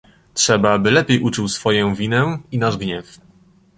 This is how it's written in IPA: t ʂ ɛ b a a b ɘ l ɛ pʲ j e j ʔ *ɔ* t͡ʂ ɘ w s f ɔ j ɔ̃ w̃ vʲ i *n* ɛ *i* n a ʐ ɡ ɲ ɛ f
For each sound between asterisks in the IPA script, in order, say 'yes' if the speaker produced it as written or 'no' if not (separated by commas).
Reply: no, yes, yes